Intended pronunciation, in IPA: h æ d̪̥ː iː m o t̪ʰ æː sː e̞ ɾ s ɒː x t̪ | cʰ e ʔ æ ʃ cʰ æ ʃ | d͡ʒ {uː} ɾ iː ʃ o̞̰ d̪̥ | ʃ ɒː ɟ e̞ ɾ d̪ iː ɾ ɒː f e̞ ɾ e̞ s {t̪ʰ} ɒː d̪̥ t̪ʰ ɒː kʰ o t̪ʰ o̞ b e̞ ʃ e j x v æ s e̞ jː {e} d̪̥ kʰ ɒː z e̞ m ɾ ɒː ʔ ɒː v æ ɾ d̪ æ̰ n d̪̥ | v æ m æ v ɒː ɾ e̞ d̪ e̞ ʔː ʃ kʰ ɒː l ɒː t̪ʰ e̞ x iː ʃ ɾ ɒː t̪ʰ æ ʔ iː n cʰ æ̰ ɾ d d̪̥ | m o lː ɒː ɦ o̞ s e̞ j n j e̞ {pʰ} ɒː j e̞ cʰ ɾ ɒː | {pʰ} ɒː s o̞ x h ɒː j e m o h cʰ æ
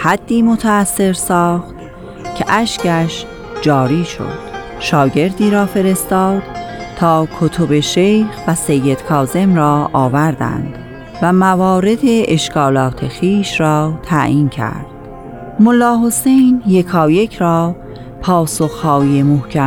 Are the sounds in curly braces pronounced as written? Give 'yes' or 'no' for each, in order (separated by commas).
no, no, yes, no, yes